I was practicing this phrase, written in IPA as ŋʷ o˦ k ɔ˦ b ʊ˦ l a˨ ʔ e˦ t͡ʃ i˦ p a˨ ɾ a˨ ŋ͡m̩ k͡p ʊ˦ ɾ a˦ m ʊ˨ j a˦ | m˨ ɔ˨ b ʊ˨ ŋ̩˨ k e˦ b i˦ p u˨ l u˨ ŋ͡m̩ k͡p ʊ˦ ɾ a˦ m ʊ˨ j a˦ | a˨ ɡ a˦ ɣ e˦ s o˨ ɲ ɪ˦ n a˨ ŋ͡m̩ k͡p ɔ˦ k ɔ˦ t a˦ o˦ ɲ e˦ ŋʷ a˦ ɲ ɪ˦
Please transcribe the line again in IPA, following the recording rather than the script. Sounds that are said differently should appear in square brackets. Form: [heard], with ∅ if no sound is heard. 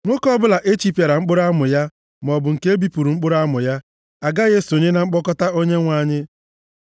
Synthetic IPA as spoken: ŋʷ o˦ k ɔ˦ b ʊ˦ l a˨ ʔ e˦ t͡ʃ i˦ p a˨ ɾ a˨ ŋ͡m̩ k͡p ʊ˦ ɾ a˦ m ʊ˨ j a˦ | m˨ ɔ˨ b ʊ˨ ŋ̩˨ k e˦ b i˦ p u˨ [ɾ] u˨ ŋ͡m̩ k͡p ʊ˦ ɾ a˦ m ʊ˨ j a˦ | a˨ ɡ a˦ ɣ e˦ s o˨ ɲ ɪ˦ n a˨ ŋ͡m̩ k͡p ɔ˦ k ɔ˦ t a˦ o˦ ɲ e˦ ŋʷ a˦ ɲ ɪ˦